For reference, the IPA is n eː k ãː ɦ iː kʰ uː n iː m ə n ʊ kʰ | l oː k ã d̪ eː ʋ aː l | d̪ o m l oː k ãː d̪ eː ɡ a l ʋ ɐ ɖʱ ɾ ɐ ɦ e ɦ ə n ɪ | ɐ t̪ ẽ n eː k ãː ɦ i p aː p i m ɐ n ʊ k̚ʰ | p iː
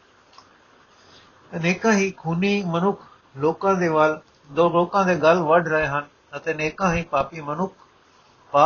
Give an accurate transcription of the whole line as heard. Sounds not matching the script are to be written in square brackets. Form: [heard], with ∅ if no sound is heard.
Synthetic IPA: n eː k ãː ɦ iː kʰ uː n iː m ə n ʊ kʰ | l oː k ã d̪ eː ʋ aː l | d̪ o [∅] l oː k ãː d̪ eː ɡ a l ʋ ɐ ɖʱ ɾ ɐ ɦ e ɦ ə n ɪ | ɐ t̪ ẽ n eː k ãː ɦ i p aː p i m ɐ n ʊ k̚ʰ | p [aː]